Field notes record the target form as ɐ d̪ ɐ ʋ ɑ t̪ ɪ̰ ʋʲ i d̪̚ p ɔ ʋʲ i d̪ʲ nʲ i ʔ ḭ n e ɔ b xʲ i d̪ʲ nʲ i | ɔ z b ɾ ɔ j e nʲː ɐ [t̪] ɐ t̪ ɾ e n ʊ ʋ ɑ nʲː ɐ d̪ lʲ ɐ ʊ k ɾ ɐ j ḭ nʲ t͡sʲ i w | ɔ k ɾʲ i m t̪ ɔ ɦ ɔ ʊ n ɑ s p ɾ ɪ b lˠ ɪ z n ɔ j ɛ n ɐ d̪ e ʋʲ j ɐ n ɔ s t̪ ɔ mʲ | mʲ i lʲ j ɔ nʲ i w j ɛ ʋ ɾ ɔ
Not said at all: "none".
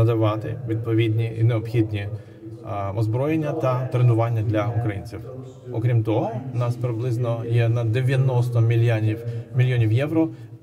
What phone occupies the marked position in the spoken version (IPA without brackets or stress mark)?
t̪